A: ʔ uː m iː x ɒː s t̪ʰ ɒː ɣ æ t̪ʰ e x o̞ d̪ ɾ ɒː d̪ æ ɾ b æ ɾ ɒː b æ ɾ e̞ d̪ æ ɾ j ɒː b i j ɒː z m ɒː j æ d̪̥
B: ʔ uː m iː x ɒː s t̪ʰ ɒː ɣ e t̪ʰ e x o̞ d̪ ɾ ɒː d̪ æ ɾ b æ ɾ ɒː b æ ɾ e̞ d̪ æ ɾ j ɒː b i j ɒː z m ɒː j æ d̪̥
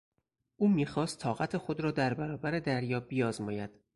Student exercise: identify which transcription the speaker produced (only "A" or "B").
A